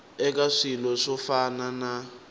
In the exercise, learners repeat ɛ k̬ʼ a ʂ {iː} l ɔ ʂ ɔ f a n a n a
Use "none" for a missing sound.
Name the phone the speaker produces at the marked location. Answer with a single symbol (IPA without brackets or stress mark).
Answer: i